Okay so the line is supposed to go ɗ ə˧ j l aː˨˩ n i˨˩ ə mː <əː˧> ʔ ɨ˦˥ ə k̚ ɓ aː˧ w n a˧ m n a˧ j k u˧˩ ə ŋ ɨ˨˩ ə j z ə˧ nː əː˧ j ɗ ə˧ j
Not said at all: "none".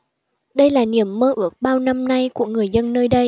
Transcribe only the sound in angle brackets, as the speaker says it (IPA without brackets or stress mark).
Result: əː˧